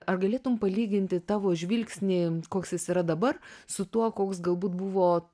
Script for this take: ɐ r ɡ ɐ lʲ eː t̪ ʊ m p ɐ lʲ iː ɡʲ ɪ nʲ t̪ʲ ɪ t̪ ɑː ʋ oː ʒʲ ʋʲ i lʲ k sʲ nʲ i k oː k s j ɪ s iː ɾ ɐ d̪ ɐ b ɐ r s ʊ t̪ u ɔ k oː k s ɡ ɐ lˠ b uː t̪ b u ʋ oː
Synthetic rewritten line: ɐ r ɡ ɐ lʲ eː t̪ ʊ m p ɐ lʲ iː ɡʲ ɪ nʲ t̪ʲ ɪ t̪ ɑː ʋ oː ʒʲ ʋʲ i lʲ k sʲ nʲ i k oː k s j ɪ s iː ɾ ɐ d̪ ɐ b ɐ r s ʊ t̪ u ɔ k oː k s ɡ ɐ lˠ b uː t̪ b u ʋ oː